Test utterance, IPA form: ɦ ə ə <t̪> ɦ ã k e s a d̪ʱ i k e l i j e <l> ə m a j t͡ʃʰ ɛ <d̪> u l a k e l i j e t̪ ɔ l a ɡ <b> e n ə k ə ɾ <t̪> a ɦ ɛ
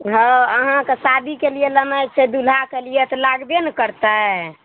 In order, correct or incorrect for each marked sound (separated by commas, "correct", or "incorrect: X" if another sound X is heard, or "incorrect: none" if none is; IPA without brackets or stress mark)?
incorrect: none, correct, correct, correct, correct